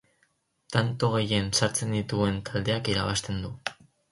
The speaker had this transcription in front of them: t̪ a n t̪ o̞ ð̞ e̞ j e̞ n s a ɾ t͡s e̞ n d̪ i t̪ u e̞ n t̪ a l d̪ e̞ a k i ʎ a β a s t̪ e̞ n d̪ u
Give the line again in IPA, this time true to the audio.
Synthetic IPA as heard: t̪ a n t̪ o̞ ɣ̞ e̞ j e̞ n s a ɾ t͡s e̞ n d̪ i t̪ u e̞ n t̪ a l d̪ e̞ a k i ɾ a β a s t̪ e̞ n d̪ u